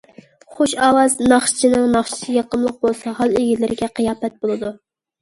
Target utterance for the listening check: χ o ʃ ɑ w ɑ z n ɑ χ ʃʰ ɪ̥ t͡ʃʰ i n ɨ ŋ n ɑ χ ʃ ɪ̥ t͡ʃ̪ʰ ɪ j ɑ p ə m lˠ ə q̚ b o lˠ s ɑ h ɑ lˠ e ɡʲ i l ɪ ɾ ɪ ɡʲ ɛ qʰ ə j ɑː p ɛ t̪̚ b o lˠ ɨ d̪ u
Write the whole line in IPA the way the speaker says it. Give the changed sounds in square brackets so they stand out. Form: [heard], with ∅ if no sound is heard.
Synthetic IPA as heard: χ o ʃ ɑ w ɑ z n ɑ χ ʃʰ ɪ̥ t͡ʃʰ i n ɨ ŋ n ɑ χ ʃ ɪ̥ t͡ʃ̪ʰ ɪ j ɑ [q] ə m lˠ ə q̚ b o lˠ s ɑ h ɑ lˠ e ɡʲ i l ɪ ɾ ɪ ɡʲ ɛ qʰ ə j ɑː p ɛ t̪̚ b o lˠ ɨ d̪ u